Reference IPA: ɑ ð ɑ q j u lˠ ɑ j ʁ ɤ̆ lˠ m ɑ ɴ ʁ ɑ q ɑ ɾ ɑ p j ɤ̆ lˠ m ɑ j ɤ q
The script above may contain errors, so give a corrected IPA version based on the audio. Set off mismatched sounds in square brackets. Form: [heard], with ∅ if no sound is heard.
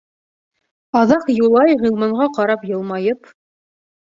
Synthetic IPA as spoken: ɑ ð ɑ q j u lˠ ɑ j ʁ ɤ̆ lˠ m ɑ ɴ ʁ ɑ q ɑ ɾ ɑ p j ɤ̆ lˠ m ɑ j ɤ [p]